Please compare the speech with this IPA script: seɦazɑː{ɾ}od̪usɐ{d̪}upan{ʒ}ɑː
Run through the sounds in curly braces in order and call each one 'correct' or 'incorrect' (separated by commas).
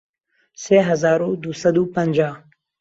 correct, correct, incorrect